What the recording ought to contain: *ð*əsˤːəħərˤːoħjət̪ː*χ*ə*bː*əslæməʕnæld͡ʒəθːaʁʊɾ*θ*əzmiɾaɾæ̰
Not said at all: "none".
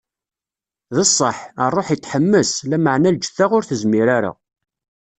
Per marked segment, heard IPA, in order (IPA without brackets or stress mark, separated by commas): ð, ħ, mː, θ